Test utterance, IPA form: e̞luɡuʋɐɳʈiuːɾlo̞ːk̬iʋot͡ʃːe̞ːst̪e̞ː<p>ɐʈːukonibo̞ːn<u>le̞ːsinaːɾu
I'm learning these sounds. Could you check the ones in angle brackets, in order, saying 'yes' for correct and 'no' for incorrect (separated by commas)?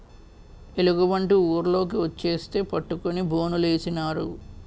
yes, yes